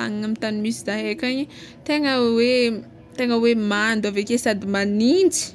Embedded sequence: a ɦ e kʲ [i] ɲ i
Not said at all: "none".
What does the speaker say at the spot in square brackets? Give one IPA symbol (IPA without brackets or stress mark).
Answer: a